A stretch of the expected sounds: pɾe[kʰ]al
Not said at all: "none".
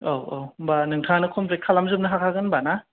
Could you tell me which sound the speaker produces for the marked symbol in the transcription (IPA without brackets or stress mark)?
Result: kʰ